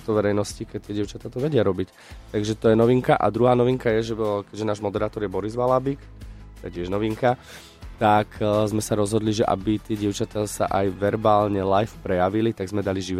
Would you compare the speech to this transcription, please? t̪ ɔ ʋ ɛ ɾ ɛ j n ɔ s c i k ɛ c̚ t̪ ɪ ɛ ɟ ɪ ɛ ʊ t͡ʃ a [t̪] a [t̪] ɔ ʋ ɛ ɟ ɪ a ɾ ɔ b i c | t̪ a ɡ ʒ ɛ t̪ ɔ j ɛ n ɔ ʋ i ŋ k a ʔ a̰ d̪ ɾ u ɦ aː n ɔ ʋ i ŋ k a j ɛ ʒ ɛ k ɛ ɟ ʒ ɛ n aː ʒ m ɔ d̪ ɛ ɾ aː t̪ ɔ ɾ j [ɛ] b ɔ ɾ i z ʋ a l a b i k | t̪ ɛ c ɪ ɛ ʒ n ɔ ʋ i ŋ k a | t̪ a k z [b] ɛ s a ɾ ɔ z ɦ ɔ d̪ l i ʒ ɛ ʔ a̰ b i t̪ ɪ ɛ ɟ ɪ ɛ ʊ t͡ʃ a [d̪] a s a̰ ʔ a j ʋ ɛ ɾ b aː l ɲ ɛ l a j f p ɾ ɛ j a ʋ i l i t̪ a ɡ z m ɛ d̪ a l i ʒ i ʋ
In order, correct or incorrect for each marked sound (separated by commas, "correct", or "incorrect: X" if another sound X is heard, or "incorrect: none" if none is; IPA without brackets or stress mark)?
correct, correct, correct, incorrect: m, incorrect: t̪